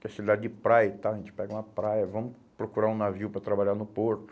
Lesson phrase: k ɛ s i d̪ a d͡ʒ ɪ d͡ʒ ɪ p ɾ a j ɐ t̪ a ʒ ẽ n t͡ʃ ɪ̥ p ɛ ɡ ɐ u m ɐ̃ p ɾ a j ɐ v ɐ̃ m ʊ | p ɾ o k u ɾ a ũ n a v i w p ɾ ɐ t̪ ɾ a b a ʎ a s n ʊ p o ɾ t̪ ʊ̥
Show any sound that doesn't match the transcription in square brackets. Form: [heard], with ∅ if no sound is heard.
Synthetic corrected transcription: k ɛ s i d̪ a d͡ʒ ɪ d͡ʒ ɪ p ɾ a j ɐ t̪ a ʒ ẽ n t͡ʃ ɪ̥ p ɛ ɡ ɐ [ũ] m [ɐ] p ɾ a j ɐ v ɐ̃ m ʊ | p ɾ o k u ɾ a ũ n a v i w p ɾ ɐ t̪ ɾ a b a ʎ a [∅] n ʊ p o ɾ t̪ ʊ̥